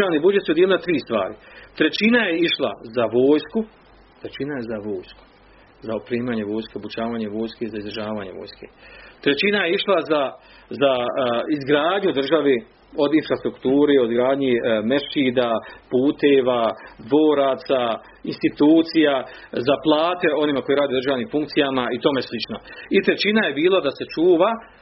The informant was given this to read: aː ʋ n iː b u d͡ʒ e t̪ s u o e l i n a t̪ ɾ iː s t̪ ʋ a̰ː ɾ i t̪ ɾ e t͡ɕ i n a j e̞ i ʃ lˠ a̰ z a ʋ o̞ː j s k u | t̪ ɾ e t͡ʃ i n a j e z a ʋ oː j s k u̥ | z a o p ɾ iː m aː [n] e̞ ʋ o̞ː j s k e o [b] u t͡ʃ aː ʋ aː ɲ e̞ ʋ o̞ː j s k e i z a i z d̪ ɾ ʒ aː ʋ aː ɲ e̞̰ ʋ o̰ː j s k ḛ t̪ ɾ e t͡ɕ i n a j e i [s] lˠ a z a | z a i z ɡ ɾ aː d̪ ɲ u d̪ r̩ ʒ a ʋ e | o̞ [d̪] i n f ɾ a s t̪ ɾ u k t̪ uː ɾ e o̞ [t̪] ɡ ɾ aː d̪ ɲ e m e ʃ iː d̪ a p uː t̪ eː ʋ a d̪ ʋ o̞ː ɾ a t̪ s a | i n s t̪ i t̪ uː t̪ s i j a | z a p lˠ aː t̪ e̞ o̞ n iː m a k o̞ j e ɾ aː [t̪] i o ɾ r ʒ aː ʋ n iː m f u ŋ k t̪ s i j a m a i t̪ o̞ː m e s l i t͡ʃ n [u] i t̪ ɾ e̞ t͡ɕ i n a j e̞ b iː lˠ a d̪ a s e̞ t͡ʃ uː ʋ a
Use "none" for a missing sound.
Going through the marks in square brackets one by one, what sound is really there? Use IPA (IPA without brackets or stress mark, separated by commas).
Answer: ɲ, b, ʃ, d̪, d̪, d̪, o